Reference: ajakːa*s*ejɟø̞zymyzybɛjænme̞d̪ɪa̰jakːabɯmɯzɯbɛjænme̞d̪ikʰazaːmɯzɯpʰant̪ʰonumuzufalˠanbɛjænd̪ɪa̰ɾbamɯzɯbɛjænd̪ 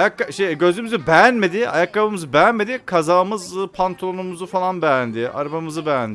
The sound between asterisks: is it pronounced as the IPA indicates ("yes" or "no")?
no